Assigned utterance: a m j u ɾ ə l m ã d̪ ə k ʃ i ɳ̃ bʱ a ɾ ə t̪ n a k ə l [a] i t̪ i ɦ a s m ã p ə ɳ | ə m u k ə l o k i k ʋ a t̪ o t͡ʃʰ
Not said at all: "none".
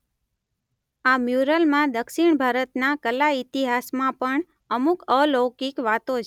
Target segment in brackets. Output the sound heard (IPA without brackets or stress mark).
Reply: a